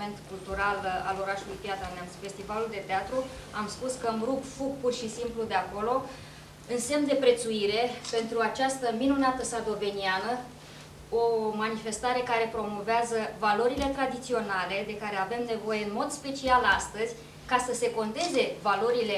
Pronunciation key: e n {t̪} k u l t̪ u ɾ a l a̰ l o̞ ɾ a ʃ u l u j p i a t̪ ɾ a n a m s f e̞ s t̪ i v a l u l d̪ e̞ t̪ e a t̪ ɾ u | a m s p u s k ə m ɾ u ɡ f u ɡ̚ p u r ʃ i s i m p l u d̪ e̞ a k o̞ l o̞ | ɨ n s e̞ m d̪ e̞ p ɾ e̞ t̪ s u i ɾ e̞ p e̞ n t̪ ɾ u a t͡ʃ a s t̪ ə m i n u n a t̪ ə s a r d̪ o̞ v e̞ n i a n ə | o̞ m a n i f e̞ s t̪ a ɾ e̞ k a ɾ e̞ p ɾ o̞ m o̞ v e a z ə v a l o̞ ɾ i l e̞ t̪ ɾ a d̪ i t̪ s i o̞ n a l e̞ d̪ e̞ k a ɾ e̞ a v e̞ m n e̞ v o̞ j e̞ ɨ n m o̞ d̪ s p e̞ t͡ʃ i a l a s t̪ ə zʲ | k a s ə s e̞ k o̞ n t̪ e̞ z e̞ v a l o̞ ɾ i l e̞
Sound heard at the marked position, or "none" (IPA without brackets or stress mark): t̪